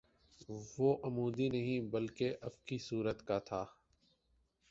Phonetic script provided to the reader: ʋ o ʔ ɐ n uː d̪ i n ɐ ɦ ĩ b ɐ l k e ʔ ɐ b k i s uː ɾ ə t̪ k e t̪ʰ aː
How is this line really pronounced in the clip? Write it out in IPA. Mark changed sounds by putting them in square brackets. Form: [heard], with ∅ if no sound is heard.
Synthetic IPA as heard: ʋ o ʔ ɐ [m] uː d̪ i n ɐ ɦ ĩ b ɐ l k e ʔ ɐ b k i s uː ɾ ə t̪ k [a] t̪ʰ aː

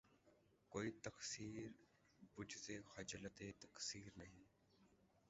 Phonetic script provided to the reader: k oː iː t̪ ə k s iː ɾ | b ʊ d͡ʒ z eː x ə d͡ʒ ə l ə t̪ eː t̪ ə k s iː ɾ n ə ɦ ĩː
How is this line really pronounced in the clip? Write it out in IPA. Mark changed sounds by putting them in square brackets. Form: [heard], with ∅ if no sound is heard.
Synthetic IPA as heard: k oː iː t̪ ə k s iː ɾ | b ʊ d͡ʒ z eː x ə d͡ʒ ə l ə t̪ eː t̪ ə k s iː ɾ n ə ɦ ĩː

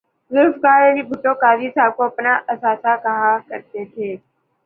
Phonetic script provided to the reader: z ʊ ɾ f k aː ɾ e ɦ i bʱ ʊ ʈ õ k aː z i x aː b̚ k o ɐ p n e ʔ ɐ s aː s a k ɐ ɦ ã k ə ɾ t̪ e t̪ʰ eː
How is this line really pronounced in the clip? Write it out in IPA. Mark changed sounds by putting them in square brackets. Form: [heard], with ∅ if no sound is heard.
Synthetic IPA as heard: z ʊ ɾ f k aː ɾ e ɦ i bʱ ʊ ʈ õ k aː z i [s] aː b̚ k o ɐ p n [a] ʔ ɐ s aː s a k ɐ ɦ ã k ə ɾ t̪ e t̪ʰ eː

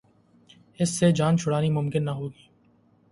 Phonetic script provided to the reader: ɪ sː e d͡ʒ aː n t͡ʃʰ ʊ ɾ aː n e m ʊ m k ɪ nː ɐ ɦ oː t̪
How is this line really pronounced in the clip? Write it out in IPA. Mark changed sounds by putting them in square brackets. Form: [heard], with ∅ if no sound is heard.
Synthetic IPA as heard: ɪ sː e d͡ʒ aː n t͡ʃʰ ʊ [ɽ] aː n [i] m ʊ m k ɪ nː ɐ ɦ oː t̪

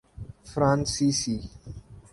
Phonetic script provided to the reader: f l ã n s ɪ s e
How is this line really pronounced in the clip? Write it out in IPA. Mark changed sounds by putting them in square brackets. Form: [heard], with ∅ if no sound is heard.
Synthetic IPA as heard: f [ɾ] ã n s [i] s [i]

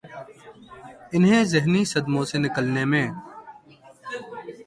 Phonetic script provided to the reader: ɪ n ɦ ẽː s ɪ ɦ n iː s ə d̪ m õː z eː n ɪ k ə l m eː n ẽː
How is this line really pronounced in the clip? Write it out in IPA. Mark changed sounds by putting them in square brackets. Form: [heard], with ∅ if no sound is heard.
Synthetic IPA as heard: ɪ n ɦ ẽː [z] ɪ ɦ n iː s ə d̪ m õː [s] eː n ɪ k ə l [n] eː [m] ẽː

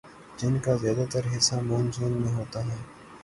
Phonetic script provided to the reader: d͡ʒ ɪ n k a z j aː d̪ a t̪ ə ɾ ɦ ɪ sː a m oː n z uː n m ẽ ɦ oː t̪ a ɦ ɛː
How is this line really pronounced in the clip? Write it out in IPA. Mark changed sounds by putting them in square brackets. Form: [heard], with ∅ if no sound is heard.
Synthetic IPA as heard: d͡ʒ ɪ n k a z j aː d̪ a t̪ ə ɾ ɦ ɪ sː a m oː n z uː n m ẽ ɦ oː t̪ a ɦ ɛː

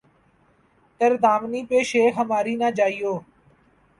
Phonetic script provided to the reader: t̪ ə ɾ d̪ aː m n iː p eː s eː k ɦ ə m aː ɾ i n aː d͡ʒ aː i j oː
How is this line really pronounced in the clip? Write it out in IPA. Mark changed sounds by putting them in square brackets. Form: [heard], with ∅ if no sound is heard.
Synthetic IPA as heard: t̪ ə ɾ d̪ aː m n iː p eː [ʃ] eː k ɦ ə m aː ɾ [iː] n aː d͡ʒ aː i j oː

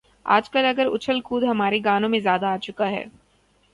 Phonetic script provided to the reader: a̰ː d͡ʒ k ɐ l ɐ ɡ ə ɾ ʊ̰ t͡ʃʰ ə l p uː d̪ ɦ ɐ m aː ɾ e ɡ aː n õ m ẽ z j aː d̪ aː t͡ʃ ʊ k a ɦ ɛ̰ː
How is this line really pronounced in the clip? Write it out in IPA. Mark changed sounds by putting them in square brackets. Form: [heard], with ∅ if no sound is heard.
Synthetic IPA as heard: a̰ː d͡ʒ k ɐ l ɐ ɡ ə ɾ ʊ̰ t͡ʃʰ ə l [k] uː d̪ ɦ ɐ m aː ɾ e ɡ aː n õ m ẽ z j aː d̪ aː t͡ʃ ʊ k a ɦ ɛ̰ː

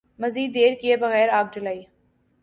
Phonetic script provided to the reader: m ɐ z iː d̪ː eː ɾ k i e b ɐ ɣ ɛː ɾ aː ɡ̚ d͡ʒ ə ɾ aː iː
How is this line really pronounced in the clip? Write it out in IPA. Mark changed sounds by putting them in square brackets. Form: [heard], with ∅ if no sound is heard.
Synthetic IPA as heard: m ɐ z iː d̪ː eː ɾ k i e b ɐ ɣ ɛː ɾ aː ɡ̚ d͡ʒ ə [l] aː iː

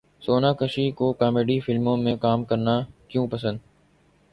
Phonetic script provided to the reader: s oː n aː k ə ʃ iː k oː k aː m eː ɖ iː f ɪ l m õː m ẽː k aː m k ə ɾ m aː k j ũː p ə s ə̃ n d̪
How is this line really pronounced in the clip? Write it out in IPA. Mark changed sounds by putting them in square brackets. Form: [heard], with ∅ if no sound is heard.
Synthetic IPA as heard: s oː n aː k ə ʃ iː k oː k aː m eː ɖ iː f ɪ l m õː m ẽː k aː m k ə ɾ [n] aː k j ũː p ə s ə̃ n d̪

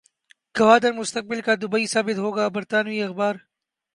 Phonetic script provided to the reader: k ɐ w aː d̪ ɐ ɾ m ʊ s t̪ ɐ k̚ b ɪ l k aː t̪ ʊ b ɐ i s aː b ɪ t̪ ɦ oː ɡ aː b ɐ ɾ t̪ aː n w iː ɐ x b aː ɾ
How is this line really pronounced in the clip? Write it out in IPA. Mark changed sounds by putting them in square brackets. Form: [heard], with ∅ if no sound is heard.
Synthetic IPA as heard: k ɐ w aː d̪ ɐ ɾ m ʊ s t̪ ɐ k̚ b ɪ l k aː [d̪] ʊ b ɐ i s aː b ɪ t̪ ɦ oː ɡ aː b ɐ ɾ t̪ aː n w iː ɐ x b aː ɾ

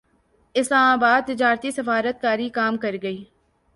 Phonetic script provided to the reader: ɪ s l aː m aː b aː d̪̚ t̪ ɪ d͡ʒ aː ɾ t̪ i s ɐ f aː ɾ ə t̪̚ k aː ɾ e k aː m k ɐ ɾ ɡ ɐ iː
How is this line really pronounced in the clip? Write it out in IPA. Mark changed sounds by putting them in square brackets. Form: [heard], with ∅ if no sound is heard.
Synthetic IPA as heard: ɪ s l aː m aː b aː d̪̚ t̪ ɪ d͡ʒ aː ɾ t̪ i s ɐ f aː ɾ ə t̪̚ k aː ɾ [i] k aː m k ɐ ɾ ɡ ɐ iː

